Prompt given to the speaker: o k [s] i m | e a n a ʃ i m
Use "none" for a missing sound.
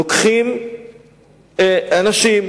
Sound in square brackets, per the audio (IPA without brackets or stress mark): χ